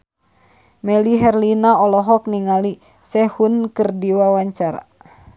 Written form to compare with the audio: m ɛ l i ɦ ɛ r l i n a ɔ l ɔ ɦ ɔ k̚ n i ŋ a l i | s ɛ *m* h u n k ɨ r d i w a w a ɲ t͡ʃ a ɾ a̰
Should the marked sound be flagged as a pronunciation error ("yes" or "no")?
yes